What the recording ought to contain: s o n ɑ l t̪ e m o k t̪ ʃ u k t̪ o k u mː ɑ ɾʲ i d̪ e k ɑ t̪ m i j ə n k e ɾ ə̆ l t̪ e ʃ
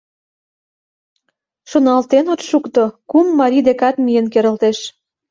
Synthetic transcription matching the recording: ʃ o n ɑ l t̪ e n o t̪ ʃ u k t̪ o k u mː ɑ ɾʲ i d̪ e k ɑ t̪ m i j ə n k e ɾ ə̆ l t̪ e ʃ